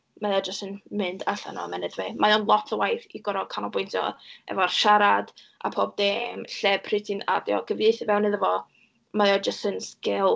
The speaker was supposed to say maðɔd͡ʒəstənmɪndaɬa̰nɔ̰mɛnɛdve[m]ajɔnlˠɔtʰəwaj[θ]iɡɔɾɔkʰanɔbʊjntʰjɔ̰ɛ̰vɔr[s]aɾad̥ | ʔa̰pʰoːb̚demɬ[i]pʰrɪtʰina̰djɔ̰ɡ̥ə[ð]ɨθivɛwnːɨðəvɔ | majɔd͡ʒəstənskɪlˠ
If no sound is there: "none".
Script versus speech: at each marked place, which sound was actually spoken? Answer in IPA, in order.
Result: m, θ, ʃ, ɛ, v

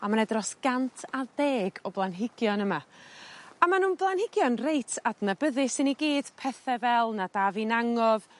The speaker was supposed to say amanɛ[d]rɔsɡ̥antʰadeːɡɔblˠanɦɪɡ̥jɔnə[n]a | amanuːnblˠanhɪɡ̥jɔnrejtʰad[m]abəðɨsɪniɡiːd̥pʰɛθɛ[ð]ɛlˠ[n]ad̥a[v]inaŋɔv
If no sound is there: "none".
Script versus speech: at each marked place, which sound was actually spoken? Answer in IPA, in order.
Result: d, m, n, v, n, v

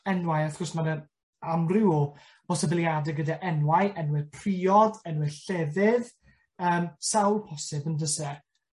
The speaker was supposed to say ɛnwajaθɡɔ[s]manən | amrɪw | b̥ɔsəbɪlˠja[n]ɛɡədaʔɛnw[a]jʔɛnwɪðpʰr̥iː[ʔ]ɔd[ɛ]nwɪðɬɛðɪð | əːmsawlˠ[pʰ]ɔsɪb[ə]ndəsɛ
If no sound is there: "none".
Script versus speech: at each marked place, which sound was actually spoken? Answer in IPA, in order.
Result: s, d, a, none, ɛ, pʰ, ə

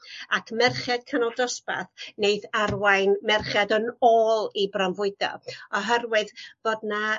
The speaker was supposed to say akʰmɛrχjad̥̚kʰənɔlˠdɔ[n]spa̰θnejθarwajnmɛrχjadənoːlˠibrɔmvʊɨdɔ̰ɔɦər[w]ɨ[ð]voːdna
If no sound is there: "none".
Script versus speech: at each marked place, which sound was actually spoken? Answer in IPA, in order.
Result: none, w, ð

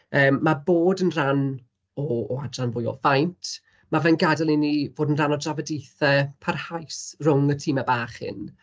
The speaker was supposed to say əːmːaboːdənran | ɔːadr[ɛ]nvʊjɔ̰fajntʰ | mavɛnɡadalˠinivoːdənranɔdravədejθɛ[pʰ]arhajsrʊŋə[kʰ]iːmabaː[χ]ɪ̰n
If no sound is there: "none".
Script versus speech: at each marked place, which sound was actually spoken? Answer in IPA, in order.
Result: a, pʰ, tʰ, χ

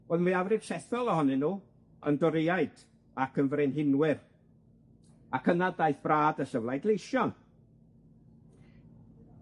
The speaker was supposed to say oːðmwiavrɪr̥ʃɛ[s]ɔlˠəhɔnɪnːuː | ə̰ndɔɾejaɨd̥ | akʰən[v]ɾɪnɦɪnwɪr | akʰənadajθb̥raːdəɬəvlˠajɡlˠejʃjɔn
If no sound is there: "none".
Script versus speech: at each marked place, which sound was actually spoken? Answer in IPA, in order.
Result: θ, v

